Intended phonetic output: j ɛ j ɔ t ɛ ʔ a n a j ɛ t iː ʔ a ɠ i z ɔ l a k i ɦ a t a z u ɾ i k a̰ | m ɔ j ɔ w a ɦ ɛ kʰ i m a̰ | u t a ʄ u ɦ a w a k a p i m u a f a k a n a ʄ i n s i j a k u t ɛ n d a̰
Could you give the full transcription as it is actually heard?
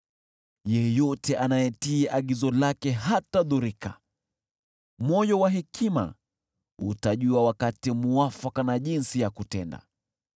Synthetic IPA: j ɛ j ɔ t ɛ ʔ a n a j ɛ t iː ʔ a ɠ i z ɔ l a k ɛ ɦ a t a ð u ɾ i k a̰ | m ɔ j ɔ w a ɦ ɛ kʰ i m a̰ | u t a ʄ u a w a k a t i m u a f a k a n a ʄ i n s i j a k u t ɛ n d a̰